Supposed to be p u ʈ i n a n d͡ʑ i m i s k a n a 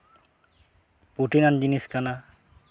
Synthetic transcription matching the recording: p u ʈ i n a n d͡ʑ i n i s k a n a

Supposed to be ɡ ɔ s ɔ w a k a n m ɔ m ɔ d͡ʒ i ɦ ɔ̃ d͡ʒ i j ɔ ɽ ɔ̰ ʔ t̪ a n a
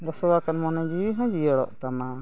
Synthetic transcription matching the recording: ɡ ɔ s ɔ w a k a n m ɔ n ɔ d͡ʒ i ɦ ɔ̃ d͡ʒ i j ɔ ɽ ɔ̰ ʔ t̪ a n a

